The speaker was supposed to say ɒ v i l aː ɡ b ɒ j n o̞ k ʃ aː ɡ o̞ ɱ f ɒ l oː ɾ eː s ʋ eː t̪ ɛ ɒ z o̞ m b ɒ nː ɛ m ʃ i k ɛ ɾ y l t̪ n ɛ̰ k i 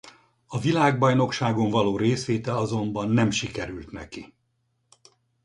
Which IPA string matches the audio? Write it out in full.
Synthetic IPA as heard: ɒ v i l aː ɡ b ɒ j n o̞ k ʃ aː ɡ o̞ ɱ v ɒ l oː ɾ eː s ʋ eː t̪ ɛ ɒ z o̞ m b ɒ nː ɛ m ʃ i k ɛ ɾ y l t̪ n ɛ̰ k i